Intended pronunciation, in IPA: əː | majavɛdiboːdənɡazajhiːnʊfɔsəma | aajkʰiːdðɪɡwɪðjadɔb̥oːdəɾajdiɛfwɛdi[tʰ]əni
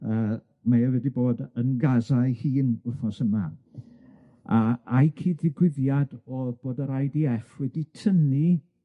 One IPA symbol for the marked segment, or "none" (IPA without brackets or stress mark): tʰ